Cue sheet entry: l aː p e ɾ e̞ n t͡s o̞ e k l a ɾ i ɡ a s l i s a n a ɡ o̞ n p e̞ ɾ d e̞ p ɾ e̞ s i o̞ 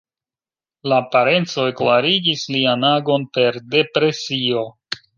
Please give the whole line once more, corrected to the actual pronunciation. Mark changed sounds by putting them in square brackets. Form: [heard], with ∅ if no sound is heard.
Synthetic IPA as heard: l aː p [a] ɾ e̞ n t͡s o̞ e k l a ɾ i ɡ [i] s l i [∅] a n a ɡ o̞ n p e̞ ɾ d e̞ p ɾ e̞ s i o̞